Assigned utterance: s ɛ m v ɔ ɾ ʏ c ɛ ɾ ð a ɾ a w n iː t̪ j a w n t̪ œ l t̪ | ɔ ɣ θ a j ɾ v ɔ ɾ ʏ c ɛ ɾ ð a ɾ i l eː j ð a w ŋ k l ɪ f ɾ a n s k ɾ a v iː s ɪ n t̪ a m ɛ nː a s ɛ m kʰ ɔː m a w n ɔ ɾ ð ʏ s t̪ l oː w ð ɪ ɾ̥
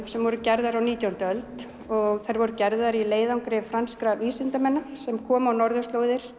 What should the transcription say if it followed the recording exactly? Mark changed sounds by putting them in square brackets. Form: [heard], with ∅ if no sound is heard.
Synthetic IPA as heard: s ɛ m v ɔ ɾ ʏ c ɛ ɾ ð a ɾ a w n iː t̪ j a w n t̪ œ l t̪ | ɔ ɣ θ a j ɾ v ɔ ɾ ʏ c ɛ ɾ ð a ɾ i l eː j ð a w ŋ k [ɾ] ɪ f ɾ a n s k ɾ a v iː s ɪ n t̪ a m ɛ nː a s ɛ m kʰ ɔː m a w n ɔ ɾ ð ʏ s t̪ l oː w ð ɪ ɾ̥